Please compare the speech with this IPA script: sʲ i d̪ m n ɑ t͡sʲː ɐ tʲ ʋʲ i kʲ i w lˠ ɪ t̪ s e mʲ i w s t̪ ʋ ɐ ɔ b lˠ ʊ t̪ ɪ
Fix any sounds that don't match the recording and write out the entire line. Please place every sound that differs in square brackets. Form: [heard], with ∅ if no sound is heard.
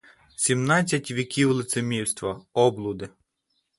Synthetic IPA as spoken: sʲ i [∅] m n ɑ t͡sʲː ɐ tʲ ʋʲ i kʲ i w lˠ ɪ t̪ s e mʲ i w s t̪ ʋ ɐ ɔ b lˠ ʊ [d̪] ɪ